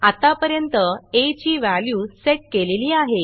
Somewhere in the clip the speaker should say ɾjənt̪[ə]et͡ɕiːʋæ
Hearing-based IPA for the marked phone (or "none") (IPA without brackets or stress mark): ə